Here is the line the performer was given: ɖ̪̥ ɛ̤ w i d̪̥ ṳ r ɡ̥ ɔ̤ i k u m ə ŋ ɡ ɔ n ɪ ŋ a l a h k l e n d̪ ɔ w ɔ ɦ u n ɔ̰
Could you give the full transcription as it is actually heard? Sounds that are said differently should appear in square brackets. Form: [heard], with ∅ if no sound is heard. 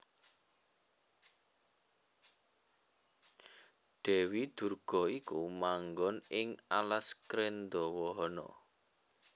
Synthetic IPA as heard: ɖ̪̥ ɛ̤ w i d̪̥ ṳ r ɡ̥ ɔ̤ i k u m [a] ŋ ɡ ɔ n ɪ ŋ a l a [s] k [ɾ] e n d̪ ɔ w ɔ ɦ [ɔ] n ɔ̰